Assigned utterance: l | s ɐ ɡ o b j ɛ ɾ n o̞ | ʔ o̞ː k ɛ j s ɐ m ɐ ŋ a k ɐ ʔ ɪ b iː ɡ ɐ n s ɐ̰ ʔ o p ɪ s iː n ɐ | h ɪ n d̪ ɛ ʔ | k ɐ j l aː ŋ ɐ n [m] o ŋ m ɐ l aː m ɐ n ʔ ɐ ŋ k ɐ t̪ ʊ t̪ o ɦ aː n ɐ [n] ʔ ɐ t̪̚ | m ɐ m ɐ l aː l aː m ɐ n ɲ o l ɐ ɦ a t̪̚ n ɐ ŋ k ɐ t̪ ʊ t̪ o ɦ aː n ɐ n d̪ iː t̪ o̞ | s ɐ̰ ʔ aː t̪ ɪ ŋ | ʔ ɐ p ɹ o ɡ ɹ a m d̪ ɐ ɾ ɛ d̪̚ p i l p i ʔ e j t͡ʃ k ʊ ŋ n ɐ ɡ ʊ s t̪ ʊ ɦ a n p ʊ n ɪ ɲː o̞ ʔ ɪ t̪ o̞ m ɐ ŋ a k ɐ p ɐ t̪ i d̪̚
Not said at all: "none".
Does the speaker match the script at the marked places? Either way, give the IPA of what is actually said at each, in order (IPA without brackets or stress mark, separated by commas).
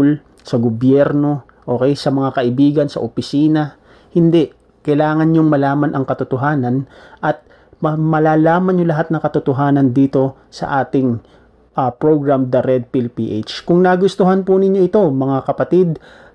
ɲ, n